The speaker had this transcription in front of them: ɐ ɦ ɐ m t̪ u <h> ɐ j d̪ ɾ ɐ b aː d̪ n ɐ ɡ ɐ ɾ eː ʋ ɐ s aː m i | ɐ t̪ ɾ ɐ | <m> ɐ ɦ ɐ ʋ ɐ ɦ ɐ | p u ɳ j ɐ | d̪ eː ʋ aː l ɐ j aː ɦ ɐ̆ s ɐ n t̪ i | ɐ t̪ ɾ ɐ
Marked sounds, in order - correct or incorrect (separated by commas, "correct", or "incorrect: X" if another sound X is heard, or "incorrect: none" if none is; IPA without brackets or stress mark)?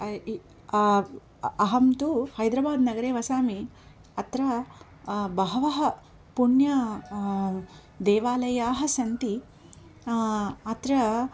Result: correct, incorrect: b